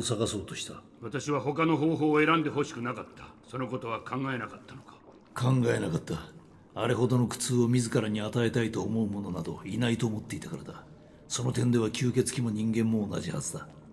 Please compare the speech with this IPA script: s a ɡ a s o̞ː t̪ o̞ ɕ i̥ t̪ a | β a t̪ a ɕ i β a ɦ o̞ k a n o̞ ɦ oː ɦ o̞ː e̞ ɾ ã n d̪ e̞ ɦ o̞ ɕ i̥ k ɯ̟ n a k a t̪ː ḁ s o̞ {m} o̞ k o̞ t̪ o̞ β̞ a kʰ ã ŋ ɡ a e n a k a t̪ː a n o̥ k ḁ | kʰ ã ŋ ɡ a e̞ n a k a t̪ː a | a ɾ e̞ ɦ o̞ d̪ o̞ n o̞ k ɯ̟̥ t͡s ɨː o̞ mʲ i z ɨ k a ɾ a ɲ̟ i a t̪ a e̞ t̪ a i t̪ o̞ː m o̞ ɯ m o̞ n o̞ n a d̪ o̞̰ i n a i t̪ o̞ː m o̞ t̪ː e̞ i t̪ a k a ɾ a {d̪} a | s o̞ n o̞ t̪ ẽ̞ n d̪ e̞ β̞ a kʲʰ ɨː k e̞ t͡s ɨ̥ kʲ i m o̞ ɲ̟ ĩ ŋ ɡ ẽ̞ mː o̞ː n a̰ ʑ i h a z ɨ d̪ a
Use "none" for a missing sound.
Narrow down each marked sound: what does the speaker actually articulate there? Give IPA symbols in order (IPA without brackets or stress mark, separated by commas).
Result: n, d̪